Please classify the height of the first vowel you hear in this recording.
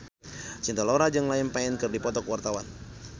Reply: high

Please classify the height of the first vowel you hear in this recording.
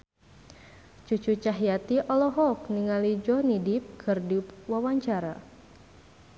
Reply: high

